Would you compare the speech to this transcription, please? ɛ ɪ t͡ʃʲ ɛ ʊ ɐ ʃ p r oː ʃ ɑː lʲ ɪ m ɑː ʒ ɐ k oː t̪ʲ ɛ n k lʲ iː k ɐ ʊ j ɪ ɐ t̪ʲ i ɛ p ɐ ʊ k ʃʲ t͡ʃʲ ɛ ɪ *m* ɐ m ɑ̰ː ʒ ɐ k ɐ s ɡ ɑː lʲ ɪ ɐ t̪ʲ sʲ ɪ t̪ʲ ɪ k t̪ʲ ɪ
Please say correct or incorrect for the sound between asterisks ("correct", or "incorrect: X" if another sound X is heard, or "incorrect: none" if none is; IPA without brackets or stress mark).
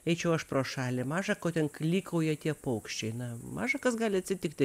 incorrect: n